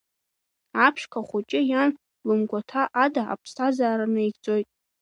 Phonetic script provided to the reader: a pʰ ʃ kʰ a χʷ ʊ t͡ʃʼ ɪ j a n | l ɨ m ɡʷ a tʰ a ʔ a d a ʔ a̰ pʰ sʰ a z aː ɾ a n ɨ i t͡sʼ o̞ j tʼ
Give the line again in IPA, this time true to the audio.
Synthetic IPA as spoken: a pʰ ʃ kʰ a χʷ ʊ t͡ʃʼ ɪ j a n | l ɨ m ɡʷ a tʰ a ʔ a d a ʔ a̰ pʰ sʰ a z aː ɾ a n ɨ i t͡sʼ o̞ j tʼ